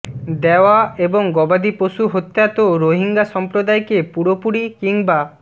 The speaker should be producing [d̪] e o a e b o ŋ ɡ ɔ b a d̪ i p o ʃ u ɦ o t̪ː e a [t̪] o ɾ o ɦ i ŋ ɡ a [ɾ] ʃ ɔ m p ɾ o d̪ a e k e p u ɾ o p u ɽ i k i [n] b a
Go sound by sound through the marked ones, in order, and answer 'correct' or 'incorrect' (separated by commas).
correct, correct, incorrect, incorrect